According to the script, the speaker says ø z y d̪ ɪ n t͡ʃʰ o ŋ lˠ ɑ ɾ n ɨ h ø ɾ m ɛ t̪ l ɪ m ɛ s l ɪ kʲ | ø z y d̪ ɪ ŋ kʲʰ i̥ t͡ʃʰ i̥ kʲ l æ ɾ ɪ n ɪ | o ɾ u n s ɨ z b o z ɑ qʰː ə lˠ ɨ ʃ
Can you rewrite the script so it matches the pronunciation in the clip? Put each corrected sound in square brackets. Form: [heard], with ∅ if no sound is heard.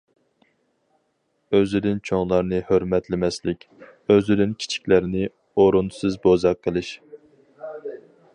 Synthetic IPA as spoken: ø z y d̪ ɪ n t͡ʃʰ o ŋ lˠ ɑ ɾ n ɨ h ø ɾ m ɛ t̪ l ɪ m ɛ s l ɪ kʲ | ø z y d̪ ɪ [n] kʲʰ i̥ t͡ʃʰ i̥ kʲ l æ ɾ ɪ n ɪ | o ɾ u n s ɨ z b o z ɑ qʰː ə lˠ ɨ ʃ